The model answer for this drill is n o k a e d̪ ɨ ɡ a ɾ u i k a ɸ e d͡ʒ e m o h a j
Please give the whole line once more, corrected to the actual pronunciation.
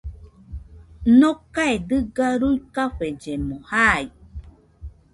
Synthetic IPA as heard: n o k a e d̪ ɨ ɡ a ɾ u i k a ɸ e d͡ʒ e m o h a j